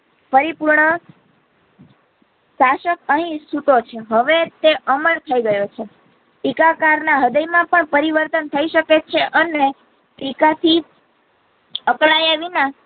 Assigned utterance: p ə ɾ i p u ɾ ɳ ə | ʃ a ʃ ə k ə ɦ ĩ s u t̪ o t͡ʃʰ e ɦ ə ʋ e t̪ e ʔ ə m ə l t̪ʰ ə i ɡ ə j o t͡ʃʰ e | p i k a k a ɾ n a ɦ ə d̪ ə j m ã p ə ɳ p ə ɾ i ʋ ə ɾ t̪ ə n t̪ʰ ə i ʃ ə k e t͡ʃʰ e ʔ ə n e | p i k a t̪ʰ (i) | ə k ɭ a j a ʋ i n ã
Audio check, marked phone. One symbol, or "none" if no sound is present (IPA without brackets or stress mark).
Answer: i